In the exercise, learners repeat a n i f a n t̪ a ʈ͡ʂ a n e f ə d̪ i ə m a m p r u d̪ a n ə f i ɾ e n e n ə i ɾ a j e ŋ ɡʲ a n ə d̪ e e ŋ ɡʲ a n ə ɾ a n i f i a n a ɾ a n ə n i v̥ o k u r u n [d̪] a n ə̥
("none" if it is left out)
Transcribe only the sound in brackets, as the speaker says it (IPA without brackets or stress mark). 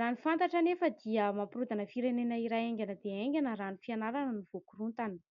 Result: t̪